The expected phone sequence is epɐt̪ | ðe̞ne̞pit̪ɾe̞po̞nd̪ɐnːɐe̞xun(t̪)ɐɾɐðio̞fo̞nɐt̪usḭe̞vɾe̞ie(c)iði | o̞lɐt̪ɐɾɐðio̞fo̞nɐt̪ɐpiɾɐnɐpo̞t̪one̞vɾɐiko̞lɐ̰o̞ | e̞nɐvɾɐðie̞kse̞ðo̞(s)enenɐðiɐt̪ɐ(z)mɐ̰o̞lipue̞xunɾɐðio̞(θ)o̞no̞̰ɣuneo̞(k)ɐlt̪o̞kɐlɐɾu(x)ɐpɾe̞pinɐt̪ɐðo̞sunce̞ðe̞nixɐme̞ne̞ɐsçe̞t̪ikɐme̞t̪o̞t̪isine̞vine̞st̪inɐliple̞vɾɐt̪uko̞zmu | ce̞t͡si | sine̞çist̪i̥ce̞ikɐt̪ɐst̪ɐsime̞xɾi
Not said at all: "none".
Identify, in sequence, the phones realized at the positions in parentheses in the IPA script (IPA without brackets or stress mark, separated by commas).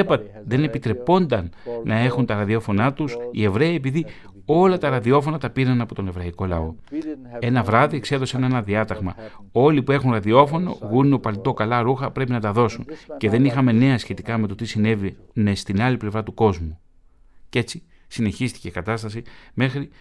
t̪, p, s, ɣ, f, p, x